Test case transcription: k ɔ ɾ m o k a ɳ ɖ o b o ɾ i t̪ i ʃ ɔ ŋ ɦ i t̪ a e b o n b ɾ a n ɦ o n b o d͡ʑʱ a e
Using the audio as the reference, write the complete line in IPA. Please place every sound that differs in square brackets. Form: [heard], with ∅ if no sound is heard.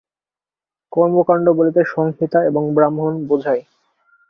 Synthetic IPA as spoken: k ɔ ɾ m o k a ɳ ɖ o b o [l] i t̪ [e] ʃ ɔ ŋ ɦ i t̪ a e b o [ŋ] b ɾ a [m] ɦ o n b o d͡ʑʱ a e